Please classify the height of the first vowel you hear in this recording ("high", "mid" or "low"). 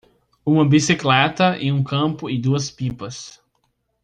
high